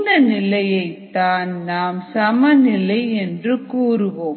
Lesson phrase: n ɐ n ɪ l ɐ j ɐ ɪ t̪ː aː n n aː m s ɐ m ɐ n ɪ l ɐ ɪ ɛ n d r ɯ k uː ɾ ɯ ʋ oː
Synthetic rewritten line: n ɐ n ɪ l ɐ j ɐ ɪ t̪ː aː n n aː m s ɐ m ɐ n ɪ l ɐ ɪ ɛ n d r ɯ k uː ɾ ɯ ʋ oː